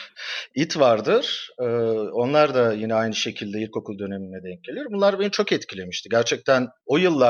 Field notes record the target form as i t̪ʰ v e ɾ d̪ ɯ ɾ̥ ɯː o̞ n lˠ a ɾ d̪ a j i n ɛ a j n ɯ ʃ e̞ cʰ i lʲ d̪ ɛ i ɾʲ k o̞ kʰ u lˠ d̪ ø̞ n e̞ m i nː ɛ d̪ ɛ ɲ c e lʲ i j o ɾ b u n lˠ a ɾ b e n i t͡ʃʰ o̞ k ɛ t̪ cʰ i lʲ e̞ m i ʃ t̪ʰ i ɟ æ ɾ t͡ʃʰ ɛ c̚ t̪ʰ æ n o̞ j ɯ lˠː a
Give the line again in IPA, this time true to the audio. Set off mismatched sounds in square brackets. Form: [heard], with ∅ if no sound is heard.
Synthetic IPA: i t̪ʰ v [a] ɾ d̪ ɯ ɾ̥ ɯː o̞ n lˠ a ɾ d̪ a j i n ɛ a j n ɯ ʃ e̞ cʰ i lʲ d̪ ɛ i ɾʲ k o̞ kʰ u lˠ d̪ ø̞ n e̞ m i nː ɛ d̪ ɛ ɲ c e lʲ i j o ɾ b u n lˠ a ɾ b e n i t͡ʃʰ o̞ k ɛ t̪ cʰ i lʲ e̞ m i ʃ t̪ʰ i ɟ æ ɾ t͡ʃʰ ɛ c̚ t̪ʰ æ n o̞ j ɯ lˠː a